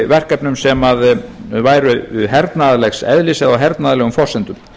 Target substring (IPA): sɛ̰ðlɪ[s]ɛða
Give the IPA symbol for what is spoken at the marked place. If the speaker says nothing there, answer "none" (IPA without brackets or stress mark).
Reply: s